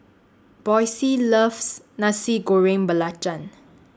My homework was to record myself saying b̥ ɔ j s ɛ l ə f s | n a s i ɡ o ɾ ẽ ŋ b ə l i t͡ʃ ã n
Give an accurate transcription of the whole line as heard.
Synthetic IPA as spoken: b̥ ɔ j s i l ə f s | n a s i ɡ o ɹ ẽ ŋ b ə l a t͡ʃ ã n